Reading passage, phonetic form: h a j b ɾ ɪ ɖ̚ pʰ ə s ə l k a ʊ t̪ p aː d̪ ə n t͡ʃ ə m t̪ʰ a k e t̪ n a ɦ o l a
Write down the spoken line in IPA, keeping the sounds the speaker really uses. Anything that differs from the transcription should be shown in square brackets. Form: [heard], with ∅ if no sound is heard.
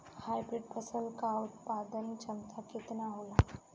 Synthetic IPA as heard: h a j b ɾ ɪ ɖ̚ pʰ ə s ə l k a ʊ t̪ p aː d̪ ə n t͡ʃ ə m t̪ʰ a k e t̪ n a ɦ o l a